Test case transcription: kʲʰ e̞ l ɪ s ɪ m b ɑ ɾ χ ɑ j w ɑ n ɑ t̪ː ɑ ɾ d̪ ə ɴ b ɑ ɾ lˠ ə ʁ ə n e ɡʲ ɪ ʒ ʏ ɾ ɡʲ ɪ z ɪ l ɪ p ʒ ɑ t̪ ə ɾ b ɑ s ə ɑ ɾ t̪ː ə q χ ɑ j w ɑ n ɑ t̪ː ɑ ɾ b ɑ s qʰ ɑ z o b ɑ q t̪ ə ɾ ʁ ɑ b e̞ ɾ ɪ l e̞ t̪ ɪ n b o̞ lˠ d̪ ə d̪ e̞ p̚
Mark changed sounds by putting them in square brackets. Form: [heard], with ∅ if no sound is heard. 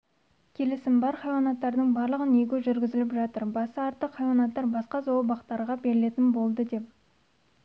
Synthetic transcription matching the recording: kʲʰ e̞ l ɪ s ɪ m b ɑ ɾ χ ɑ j w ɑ n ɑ t̪ː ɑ ɾ d̪ ə ɴ b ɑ ɾ lˠ ə ʁ ə n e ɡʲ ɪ ʒ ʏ ɾ ɡʲ ɪ z ɪ l ɪ p ʒ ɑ t̪ ə ɾ b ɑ s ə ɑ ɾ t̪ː ə q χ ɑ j w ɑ n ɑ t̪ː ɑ ɾ b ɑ s [q] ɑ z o b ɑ q t̪ [ɑ] ɾ ʁ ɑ b e̞ ɾ ɪ l e̞ t̪ ɪ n b o̞ lˠ d̪ ə d̪ e̞ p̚